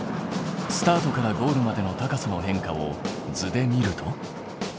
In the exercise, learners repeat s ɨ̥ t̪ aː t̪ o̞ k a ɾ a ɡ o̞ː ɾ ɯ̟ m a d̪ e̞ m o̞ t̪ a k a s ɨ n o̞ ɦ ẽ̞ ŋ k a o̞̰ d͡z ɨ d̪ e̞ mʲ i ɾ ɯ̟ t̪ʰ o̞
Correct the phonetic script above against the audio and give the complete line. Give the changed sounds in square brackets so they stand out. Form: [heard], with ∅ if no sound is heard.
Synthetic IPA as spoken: s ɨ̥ t̪ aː t̪ o̞ k a ɾ a ɡ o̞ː ɾ ɯ̟ m a d̪ e̞ [n] o̞ t̪ a k a s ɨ n o̞ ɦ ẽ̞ ŋ k a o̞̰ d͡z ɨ d̪ e̞ mʲ i ɾ ɯ̟ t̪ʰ o̞